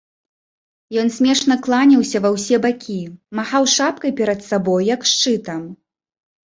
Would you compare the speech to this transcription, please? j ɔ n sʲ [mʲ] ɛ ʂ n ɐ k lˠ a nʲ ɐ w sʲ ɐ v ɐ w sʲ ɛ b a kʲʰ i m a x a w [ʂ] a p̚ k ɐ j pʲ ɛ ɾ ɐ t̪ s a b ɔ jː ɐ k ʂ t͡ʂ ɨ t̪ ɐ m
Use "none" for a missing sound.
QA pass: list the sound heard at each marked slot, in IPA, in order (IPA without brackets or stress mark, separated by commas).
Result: mʲ, ʂ